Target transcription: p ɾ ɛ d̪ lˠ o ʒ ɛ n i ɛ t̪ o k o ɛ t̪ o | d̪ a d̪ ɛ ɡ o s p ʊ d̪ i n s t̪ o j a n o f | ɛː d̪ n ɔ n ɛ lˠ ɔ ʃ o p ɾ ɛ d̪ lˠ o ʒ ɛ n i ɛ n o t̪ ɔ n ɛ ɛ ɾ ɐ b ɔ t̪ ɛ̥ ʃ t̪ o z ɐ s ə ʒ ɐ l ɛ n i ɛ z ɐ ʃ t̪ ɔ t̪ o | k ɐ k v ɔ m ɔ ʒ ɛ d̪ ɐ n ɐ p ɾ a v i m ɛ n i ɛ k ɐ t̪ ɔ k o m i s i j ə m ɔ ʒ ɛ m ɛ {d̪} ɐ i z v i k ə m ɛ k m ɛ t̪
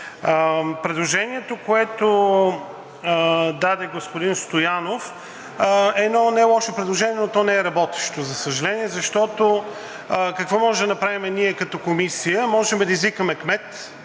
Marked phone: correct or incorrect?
correct